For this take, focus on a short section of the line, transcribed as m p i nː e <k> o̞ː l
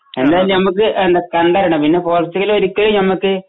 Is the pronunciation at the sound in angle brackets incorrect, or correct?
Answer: incorrect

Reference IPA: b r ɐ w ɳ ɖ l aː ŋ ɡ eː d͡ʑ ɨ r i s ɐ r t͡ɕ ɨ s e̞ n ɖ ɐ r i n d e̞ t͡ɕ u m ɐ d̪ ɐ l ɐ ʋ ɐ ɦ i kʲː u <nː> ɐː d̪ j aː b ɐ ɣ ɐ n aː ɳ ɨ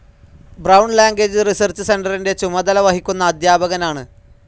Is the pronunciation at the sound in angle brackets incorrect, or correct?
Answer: correct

